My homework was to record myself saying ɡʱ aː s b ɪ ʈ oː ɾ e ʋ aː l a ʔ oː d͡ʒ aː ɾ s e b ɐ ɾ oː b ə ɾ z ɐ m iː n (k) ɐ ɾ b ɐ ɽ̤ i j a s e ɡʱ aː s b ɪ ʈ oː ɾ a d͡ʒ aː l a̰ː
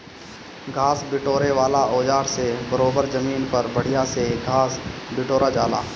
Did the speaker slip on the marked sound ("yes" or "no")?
yes